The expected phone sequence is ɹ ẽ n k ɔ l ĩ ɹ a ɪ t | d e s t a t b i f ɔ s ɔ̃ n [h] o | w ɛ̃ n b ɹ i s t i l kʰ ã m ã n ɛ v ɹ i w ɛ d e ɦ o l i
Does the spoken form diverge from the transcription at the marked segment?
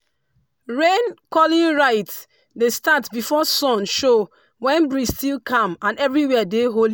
yes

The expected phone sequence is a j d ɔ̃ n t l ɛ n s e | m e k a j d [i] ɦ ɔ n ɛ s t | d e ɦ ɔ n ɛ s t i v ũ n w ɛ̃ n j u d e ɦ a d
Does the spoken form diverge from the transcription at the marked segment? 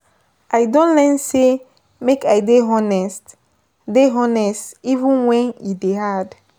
yes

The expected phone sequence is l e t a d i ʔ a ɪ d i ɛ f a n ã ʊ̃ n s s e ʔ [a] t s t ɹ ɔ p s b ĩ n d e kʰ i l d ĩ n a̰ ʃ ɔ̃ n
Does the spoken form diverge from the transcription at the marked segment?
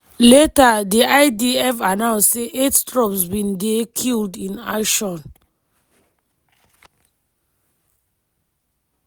yes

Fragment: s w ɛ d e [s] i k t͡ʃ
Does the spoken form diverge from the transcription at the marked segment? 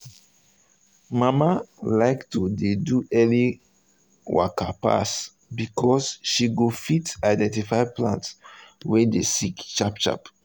no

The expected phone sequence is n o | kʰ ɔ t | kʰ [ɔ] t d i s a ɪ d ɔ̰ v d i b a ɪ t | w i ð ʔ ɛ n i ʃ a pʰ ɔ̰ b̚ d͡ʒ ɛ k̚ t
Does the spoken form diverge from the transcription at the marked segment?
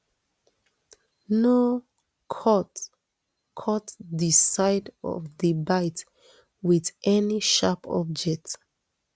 no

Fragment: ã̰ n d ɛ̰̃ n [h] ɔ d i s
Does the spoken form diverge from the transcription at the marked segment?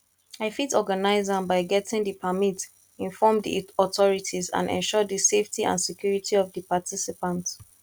yes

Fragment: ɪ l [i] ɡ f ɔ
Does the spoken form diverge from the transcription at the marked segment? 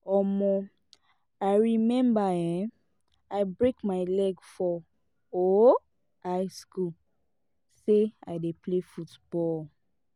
yes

